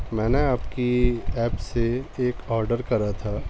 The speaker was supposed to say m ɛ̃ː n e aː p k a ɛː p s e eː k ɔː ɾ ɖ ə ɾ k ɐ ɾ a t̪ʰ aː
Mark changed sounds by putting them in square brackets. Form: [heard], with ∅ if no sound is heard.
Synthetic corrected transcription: m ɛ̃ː n e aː p k [i] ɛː p s e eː k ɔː ɾ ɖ ə ɾ k ɐ ɾ a t̪ʰ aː